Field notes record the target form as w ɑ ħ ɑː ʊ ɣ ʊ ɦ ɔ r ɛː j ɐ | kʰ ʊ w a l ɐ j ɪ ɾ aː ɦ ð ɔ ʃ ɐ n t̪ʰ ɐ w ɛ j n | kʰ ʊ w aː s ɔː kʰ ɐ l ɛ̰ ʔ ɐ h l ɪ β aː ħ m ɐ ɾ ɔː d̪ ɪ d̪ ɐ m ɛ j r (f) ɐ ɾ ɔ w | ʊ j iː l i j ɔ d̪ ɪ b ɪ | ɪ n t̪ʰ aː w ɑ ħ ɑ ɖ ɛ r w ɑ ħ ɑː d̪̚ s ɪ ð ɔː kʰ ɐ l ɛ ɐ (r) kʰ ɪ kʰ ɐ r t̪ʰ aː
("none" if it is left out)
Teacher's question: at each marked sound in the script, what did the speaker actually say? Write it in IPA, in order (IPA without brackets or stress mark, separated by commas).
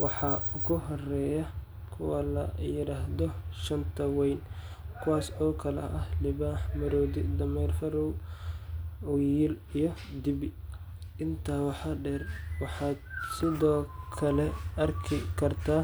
f, r